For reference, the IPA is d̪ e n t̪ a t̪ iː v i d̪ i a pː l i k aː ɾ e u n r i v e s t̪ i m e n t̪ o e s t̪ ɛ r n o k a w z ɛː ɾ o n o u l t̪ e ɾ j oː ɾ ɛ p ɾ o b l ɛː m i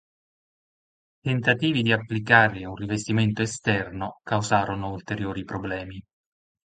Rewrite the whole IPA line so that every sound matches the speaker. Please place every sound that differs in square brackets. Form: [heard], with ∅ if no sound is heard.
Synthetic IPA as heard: [t̪] e n t̪ a t̪ iː v i d̪ i a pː l i k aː ɾ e u n r i v e s t̪ i m e n t̪ o e s t̪ ɛ r n o k a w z [aː] ɾ o n o u l t̪ e ɾ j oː ɾ [i] p ɾ o b l ɛː m i